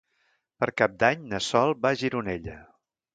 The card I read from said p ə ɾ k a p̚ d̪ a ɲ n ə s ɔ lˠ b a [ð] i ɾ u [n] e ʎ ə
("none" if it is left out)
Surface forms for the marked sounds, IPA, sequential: ʒ, n

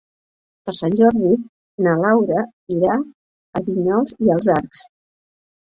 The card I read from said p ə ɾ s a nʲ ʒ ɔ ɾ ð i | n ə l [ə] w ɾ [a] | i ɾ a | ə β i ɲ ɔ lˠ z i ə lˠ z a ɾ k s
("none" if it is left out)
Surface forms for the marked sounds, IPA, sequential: a, ə

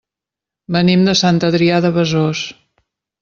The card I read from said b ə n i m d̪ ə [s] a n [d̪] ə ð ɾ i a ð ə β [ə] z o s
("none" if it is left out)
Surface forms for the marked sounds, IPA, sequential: s, t̪, ə

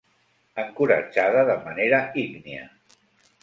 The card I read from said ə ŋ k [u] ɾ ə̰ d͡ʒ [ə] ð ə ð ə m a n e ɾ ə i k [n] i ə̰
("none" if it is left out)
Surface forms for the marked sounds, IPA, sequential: u, a, n

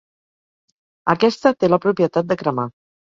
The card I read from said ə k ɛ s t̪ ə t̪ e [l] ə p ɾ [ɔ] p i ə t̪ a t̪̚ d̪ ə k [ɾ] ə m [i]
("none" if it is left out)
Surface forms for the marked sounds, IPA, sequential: l, u, ɾ, a

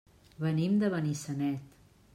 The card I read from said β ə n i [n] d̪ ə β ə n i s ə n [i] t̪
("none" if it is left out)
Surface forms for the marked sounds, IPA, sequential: m, ɛ

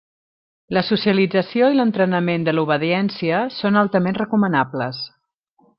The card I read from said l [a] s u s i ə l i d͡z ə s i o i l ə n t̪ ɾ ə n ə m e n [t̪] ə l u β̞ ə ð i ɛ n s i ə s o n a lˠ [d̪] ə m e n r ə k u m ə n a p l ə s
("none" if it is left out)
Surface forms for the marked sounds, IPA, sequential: ə, d̪, t̪

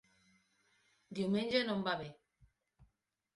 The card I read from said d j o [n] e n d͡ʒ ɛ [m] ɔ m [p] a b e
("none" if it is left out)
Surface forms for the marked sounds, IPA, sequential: m, n, b

